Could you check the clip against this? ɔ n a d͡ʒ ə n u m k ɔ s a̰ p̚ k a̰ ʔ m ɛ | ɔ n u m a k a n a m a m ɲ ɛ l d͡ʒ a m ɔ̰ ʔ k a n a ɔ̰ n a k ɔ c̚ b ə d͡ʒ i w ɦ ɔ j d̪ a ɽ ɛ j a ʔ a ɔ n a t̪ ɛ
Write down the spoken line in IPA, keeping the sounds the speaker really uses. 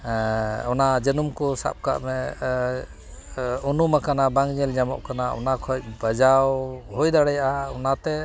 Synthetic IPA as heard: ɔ n a d͡ʒ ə n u m k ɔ s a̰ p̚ k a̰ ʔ m ɛ | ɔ n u m a k a n a b a ŋ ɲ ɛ l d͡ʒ a m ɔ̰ ʔ k a n a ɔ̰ n a kʰ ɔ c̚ b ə d͡ʒ a w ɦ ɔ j d̪ a ɽ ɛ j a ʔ a ɔ n a t̪ ɛ